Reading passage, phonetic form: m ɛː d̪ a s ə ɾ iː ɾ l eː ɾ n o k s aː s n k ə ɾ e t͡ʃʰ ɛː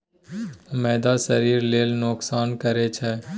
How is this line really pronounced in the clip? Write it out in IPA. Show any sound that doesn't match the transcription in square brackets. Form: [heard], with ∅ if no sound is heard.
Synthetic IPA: m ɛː d̪ a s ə ɾ iː ɾ l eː [l] n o k s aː [∅] n k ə ɾ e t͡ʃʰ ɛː